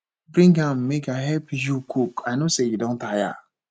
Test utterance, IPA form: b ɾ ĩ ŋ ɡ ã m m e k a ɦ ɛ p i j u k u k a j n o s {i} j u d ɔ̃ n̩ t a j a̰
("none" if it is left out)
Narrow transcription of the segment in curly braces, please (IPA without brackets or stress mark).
e